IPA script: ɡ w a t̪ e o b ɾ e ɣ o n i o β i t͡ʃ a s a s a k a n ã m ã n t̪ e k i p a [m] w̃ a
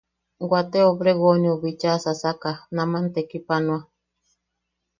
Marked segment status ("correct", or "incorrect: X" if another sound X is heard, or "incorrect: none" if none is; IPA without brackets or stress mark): incorrect: n